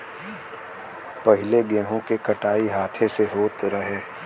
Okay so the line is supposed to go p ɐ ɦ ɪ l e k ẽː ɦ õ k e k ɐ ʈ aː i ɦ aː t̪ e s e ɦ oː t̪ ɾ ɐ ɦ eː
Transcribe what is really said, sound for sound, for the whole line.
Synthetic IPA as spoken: p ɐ ɦ ɪ l e ɡ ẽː ɦ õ k e k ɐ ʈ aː i ɦ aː t̪ʰ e s e ɦ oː t̪ ɾ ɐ ɦ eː